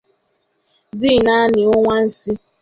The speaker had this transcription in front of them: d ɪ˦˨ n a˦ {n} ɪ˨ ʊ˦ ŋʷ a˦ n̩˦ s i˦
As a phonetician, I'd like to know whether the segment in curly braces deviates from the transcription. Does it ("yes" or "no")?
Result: no